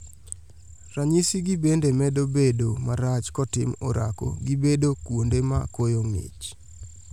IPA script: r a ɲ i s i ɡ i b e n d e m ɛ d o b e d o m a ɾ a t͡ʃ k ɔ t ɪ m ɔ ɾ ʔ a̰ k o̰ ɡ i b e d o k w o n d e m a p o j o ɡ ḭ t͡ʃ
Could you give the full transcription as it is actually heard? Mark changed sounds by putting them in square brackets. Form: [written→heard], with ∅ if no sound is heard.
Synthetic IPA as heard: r a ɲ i s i ɡ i b e n d e m ɛ d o b e d o m a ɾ a t͡ʃ k ɔ t ɪ m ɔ ɾ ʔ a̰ k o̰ ɡ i b e d o k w o n d e m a [p→k] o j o [ɡ→ŋ] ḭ t͡ʃ

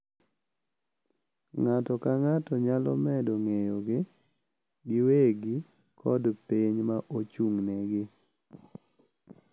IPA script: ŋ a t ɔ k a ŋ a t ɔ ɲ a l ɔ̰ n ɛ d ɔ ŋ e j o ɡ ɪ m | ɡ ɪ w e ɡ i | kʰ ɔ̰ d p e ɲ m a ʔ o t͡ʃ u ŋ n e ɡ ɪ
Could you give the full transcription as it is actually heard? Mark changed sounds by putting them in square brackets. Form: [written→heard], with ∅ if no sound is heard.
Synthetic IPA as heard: ŋ a t ɔ k a ŋ a t ɔ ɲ a l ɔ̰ [n→m] ɛ d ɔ ŋ e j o ɡ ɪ [m→∅] | ɡ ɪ w e ɡ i | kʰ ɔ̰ d p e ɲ m a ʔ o t͡ʃ u ŋ n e ɡ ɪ

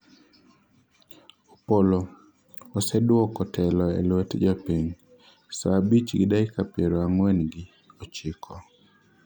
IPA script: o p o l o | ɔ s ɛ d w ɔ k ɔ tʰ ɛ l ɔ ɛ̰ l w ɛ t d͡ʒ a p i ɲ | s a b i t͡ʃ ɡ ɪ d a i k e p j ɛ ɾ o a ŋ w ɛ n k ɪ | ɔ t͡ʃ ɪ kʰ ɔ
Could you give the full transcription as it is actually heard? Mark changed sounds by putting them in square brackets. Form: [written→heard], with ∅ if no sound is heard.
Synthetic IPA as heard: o p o l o | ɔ s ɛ d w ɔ k ɔ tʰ ɛ l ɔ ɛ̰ l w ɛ t d͡ʒ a p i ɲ | s a b i t͡ʃ ɡ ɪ d a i k [e→a] p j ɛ ɾ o a ŋ w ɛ n [k→ɡ] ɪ | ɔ t͡ʃ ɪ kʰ ɔ

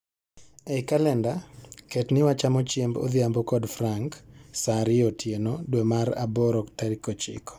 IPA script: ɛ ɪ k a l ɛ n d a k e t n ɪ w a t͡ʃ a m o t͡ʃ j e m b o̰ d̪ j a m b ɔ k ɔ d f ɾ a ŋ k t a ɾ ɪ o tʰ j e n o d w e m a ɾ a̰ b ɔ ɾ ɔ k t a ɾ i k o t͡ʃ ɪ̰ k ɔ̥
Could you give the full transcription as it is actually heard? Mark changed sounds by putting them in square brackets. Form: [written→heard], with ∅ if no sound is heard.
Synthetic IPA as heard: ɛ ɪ k a l ɛ n d a k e t n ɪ w a t͡ʃ a m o t͡ʃ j e m b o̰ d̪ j a m b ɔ k ɔ d f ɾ a ŋ k [t→s] a ɾ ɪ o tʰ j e n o d w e m a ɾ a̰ b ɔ ɾ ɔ k t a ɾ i k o t͡ʃ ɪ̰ k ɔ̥

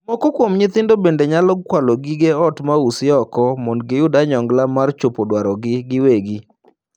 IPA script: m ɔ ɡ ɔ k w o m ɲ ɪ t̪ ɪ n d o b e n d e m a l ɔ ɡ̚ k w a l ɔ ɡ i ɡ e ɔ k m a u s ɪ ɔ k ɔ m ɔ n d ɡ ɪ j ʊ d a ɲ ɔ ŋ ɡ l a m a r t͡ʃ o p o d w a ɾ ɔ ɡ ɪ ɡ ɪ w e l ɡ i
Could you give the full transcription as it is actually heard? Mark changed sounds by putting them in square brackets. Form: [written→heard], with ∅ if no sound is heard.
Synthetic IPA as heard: m ɔ [ɡ→k] ɔ k w o m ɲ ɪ t̪ ɪ n d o b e n d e [m→ɲ] a l ɔ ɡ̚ k w a l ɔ ɡ i ɡ e ɔ [k→t] m a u s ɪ ɔ k ɔ m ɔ n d ɡ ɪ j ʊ d a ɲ ɔ ŋ ɡ l a m a r t͡ʃ o p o d w a ɾ ɔ ɡ ɪ ɡ ɪ w e [l→∅] ɡ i

